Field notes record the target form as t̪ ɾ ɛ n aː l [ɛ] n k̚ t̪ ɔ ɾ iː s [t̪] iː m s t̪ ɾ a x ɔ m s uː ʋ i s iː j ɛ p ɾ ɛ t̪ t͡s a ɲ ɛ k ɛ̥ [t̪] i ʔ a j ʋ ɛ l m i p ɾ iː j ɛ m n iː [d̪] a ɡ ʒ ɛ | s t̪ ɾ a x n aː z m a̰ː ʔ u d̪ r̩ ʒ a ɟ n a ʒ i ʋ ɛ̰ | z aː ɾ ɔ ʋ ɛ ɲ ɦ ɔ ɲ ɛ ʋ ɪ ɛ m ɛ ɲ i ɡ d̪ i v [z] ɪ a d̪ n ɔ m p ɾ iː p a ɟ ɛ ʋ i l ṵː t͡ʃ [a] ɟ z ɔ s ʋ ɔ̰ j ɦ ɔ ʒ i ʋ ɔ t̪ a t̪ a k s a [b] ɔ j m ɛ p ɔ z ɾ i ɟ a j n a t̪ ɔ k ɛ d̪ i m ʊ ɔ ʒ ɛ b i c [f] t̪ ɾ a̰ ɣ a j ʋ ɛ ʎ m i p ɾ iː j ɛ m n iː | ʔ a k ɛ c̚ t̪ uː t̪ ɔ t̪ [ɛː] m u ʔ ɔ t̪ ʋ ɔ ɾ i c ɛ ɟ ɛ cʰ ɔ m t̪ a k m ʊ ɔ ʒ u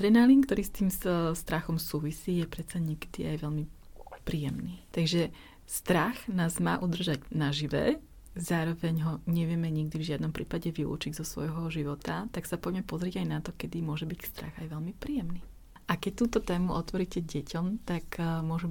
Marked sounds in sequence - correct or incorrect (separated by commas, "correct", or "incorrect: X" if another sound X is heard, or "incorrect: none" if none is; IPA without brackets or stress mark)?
incorrect: i, correct, incorrect: d̪, incorrect: t̪, incorrect: ʒ, incorrect: i, incorrect: p, incorrect: s, correct